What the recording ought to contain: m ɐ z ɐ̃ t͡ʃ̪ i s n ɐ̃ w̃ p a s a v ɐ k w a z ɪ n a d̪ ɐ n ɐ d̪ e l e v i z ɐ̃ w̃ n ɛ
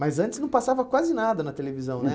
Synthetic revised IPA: m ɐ z ɐ̃ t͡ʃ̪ ɪ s n ɐ̃ w̃ p a s a v ɐ k w a z ɪ n a d̪ ɐ n ɐ t̪ e l e v i z ɐ̃ w̃ n ɛ